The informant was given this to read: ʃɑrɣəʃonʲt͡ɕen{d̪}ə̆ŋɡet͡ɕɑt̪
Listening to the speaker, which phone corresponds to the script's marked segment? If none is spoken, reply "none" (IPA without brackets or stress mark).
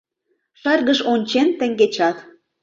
t̪